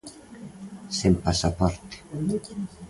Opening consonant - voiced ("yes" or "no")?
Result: no